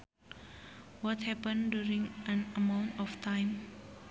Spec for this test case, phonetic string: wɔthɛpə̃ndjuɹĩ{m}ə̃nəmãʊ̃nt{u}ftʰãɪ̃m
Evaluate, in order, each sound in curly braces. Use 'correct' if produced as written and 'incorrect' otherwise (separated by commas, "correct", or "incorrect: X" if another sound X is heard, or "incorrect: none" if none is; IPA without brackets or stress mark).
incorrect: ŋ, incorrect: ɔ